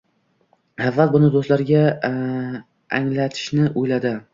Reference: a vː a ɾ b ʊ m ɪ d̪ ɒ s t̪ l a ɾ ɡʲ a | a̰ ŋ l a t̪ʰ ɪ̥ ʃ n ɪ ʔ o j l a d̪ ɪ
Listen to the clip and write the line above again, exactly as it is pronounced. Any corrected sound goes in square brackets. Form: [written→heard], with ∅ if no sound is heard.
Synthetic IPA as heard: a vː a [ɾ→l] b ʊ [m→n] ɪ d̪ [ɒ→o] s t̪ l a ɾ ɡʲ a | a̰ ŋ l a t̪ʰ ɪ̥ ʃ n ɪ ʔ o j l a d̪ ɪ